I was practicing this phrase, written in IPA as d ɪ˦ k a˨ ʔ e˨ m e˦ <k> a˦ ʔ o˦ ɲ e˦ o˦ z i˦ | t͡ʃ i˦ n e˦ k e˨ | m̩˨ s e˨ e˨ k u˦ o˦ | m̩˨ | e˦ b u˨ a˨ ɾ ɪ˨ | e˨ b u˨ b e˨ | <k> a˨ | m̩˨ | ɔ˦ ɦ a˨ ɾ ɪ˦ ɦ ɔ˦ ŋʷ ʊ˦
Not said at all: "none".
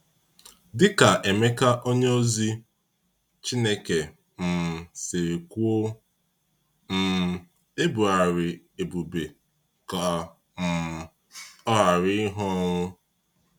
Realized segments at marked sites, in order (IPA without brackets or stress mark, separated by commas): k, k